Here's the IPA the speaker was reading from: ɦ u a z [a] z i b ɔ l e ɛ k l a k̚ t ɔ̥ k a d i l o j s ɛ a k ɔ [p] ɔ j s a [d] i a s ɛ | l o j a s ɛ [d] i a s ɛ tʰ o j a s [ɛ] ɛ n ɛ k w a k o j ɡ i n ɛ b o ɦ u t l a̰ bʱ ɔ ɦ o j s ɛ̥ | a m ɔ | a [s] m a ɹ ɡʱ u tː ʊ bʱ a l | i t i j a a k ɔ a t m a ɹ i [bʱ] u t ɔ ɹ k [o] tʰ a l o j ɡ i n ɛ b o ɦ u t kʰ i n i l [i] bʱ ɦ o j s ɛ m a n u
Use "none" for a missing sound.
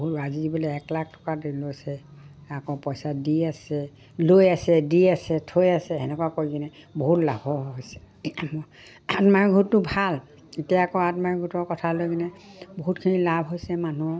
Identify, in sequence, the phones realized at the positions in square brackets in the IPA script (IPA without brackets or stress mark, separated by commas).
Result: i, p, d, d, ɛ, t, ɡʱ, ɔ, a